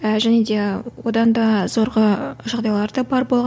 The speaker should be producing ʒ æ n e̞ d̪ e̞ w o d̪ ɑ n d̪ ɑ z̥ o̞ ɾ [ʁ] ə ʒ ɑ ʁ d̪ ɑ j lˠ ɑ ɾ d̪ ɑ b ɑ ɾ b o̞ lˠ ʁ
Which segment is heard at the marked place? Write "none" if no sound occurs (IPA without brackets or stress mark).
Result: ʁ